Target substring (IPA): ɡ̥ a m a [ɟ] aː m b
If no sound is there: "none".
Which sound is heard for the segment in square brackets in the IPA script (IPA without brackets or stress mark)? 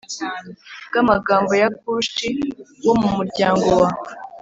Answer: ɡ